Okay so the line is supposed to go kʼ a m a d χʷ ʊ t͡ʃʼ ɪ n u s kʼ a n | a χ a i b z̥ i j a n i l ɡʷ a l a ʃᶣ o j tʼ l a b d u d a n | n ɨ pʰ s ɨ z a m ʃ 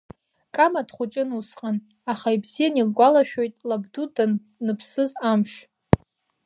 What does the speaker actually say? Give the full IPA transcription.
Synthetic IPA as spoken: kʼ a m a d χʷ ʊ t͡ʃʼ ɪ n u s qʼ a n | a χ a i b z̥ i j a n i l ɡʷ a l a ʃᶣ o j tʼ l a b d u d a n | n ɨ pʰ s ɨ z a m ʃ